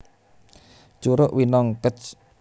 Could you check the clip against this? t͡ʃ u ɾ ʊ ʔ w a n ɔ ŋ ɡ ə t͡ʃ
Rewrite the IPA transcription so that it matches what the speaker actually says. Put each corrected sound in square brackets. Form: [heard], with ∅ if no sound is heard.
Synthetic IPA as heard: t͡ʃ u ɾ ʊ ʔ w [i] n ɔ ŋ [k] ə t͡ʃ